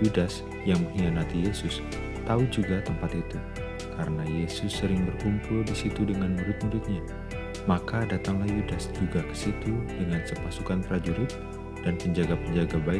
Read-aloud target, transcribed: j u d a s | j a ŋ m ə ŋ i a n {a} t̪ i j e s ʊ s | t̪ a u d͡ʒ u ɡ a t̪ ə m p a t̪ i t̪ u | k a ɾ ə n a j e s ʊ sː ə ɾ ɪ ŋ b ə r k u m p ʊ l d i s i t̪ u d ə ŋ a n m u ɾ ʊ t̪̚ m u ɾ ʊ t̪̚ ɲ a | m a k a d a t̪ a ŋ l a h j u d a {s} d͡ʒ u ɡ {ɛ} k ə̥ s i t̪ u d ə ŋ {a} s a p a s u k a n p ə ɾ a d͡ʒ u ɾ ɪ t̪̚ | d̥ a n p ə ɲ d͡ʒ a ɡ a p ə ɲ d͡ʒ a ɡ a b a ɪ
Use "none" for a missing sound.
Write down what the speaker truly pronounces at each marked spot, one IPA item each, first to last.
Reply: a, s, a, a

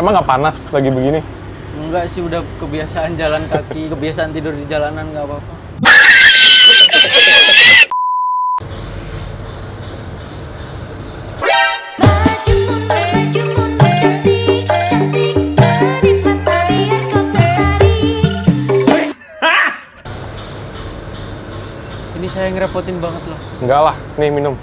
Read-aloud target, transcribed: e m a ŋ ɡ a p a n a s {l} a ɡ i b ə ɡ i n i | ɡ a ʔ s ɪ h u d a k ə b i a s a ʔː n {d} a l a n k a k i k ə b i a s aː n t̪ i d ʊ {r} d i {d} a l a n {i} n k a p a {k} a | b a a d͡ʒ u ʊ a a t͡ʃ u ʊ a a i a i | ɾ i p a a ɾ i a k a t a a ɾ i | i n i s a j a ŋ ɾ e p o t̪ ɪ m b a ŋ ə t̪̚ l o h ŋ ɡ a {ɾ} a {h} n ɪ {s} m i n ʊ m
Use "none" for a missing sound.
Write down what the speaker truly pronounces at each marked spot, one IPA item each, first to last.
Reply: l, d͡ʒ, r, d͡ʒ, a, p, l, h, h

